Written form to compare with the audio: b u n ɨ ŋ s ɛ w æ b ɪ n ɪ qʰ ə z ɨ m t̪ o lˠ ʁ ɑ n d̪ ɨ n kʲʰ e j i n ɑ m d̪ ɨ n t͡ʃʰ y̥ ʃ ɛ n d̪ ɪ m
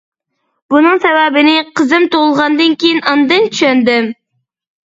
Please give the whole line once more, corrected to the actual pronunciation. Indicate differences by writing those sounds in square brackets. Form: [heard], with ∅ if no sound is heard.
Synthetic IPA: b u n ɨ ŋ s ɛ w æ b ɪ n ɪ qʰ ə z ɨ m t̪ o lˠ ʁ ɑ n d̪ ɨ n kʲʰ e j i n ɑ [n] d̪ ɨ n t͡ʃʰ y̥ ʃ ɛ n d̪ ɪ m